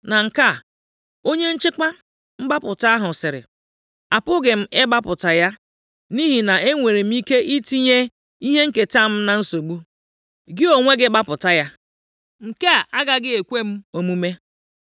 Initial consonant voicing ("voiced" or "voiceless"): voiced